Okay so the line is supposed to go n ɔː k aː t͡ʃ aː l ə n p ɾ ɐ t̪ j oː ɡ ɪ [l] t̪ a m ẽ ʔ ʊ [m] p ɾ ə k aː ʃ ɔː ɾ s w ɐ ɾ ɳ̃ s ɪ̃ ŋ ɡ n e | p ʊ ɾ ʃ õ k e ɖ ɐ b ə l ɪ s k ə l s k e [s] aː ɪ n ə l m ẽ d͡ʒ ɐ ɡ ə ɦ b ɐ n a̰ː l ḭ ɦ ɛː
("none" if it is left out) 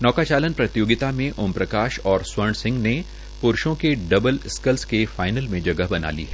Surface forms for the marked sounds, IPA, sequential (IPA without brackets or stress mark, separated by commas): none, m, f